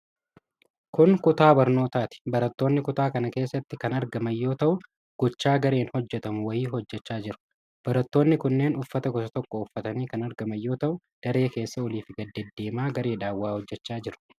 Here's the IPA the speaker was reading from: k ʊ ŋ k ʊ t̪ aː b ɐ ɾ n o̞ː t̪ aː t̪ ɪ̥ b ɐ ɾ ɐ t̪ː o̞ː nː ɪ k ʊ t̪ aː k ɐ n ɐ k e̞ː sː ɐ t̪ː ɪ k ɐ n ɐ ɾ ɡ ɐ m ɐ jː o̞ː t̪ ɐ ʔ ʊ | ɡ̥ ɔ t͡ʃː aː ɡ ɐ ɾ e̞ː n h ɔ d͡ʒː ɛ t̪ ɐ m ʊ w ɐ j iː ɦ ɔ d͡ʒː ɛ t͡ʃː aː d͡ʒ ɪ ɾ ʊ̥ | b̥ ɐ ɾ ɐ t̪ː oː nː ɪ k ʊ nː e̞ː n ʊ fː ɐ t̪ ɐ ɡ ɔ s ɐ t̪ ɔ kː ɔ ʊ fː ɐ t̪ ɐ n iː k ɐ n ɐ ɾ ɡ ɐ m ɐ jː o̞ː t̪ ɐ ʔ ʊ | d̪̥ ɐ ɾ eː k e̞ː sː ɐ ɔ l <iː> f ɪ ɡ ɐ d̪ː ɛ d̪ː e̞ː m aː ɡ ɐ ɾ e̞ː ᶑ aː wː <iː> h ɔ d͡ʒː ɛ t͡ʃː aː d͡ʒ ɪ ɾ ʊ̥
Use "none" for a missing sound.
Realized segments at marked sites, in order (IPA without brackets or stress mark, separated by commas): iː, aː